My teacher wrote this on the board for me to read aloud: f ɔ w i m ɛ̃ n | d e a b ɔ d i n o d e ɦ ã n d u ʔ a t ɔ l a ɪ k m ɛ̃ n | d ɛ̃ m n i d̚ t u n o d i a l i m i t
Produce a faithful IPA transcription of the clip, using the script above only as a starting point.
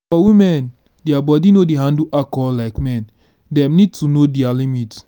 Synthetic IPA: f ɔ w i m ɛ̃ n | d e a b ɔ d i n o d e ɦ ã n d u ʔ a k ɔ l a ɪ k m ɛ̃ n | d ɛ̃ m n i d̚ t u n o d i a l i m i t